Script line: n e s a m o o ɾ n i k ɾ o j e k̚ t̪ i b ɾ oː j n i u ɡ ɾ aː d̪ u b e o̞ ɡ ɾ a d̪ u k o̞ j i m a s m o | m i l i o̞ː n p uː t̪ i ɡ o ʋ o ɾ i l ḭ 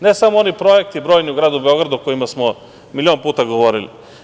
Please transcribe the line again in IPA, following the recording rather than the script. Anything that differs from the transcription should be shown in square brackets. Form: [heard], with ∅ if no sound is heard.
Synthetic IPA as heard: n e s a m o o [∅] n i [p] ɾ o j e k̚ t̪ i b ɾ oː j n i u ɡ ɾ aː d̪ u b e o̞ ɡ ɾ a d̪ u k o̞ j i m a s m o | m i l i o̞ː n p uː t̪ [a] ɡ o ʋ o ɾ i l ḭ